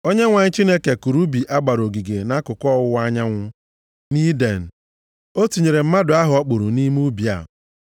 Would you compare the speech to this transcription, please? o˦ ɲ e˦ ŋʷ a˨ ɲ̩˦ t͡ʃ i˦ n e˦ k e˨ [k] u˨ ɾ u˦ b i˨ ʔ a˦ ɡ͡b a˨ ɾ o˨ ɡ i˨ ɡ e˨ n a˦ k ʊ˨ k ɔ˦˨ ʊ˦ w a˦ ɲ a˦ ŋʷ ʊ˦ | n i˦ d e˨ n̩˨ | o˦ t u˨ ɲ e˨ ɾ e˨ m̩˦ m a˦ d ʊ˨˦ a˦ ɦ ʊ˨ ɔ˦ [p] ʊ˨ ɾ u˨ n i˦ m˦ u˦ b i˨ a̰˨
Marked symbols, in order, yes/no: yes, no

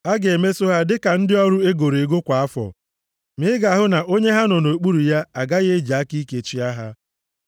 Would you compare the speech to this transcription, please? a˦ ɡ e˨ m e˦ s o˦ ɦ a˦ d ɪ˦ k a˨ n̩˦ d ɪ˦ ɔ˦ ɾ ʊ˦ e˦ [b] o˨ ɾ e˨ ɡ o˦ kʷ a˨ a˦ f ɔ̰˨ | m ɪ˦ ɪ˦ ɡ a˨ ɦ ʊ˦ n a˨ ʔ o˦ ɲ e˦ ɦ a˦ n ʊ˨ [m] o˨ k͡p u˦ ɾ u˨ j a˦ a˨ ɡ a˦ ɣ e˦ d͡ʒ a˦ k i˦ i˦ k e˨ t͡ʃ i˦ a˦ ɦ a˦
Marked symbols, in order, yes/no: no, no

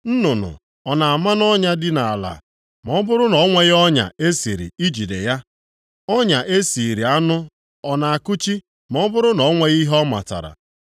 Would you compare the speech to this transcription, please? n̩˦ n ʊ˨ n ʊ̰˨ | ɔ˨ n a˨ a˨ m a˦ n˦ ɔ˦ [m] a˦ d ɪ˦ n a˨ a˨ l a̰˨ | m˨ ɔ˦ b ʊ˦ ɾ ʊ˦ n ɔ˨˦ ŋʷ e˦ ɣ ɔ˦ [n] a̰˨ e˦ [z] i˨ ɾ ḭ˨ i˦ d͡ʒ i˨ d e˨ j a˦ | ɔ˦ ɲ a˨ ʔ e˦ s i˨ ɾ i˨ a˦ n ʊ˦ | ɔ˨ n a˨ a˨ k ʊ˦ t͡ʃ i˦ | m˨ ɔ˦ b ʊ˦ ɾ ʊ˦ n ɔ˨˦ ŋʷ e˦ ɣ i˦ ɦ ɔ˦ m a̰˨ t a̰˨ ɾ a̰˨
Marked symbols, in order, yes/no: no, no, no

